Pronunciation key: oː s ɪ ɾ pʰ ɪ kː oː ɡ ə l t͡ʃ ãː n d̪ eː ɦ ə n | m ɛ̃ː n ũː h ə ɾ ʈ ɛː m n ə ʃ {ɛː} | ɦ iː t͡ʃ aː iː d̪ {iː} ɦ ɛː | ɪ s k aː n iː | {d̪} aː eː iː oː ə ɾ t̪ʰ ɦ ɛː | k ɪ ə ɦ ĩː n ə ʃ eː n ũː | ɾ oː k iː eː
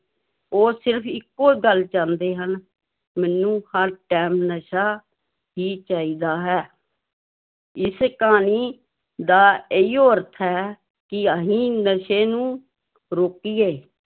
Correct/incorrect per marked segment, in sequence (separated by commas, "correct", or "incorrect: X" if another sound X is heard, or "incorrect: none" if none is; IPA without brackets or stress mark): incorrect: aː, incorrect: aː, correct